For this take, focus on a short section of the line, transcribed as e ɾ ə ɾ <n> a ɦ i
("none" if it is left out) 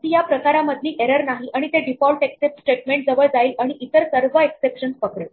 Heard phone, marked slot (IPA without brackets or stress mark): n